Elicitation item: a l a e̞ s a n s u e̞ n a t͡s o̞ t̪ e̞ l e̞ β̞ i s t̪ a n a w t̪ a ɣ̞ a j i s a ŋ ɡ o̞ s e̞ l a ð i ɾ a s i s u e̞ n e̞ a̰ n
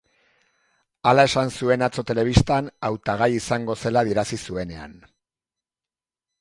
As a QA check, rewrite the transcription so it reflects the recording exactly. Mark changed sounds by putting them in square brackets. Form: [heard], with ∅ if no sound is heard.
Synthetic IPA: a l a e̞ s a n s u e̞ n a t͡s o̞ t̪ e̞ l e̞ β̞ i s t̪ a n a w t̪ a ɣ̞ a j i s a ŋ ɡ o̞ s e̞ l a ð i ɾ a s i s u e̞ n e̞ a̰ n

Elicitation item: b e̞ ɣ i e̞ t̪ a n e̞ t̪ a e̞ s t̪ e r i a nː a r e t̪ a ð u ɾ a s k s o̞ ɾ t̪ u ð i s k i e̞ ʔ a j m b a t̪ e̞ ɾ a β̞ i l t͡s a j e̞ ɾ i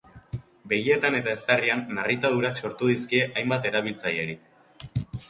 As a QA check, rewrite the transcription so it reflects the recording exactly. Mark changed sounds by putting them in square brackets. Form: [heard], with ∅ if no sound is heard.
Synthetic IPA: b e̞ ɣ i e̞ t̪ a n e̞ t̪ a e̞ s t̪ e r i a nː a r [i] t̪ a ð u ɾ a [∅] k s o̞ ɾ t̪ u ð i s k i e̞ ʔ a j m b a t̪ e̞ ɾ a β̞ i l t͡s a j e̞ ɾ i

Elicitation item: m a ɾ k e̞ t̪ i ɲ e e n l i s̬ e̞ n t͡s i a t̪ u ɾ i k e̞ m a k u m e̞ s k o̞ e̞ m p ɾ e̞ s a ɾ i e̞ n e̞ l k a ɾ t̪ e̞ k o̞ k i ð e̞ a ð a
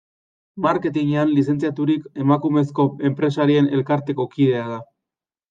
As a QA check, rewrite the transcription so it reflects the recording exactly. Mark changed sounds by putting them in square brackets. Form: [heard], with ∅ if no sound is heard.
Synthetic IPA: m a ɾ k e̞ t̪ i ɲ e [a] n l i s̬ e̞ n t͡s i a t̪ u ɾ i k e̞ m a k u m e̞ s k o̞ e̞ m p ɾ e̞ s a ɾ i e̞ n e̞ l k a ɾ t̪ e̞ k o̞ k i ð e̞ a ð a

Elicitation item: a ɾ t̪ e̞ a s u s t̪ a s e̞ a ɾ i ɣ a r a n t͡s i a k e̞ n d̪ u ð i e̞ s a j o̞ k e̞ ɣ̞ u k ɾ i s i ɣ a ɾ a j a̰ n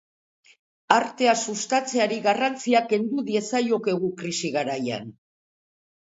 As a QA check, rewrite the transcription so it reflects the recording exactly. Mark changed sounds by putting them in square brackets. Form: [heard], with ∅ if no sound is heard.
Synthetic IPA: a ɾ t̪ e̞ a s u s t̪ a [t͡s] e̞ a ɾ i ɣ a r a n t͡s i a k e̞ n d̪ u ð i e̞ s a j o̞ k e̞ ɣ̞ u k ɾ i s i ɣ a ɾ a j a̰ n

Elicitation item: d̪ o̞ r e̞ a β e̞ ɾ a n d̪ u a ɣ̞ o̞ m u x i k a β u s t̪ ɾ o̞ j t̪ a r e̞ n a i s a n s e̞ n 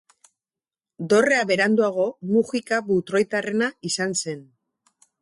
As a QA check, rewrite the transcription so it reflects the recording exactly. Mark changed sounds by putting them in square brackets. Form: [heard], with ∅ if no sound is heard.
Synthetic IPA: d̪ o̞ r e̞ a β e̞ ɾ a n d̪ u a ɣ̞ o̞ m u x i k a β u [∅] t̪ ɾ o̞ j t̪ a r e̞ n a i s a n s e̞ n

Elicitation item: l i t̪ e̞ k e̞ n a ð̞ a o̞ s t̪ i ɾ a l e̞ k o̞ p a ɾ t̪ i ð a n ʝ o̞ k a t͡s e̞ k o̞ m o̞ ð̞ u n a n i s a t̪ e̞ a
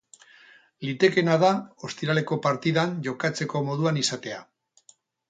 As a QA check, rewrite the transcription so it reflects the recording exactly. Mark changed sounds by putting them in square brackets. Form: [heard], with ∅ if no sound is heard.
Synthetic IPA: l i t̪ e̞ k e̞ n a ð̞ a o̞ s t̪ i ɾ a l e̞ k o̞ p a ɾ t̪ i ð a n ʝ o̞ k a t͡s e̞ k o̞ m o̞ ð̞ u [∅] a n i s a t̪ e̞ a

